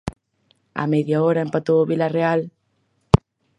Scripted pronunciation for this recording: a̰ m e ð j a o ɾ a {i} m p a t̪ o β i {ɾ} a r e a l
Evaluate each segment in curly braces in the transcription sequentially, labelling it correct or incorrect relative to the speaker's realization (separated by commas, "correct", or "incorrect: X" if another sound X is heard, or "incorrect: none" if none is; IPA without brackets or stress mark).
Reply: incorrect: e, incorrect: l